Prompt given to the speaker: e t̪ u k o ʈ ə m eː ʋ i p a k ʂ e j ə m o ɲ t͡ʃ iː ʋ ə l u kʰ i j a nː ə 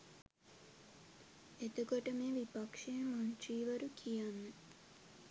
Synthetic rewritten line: e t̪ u k o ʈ ə m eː ʋ i p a k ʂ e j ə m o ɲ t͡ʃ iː ʋ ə ɾ u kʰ i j a nː ə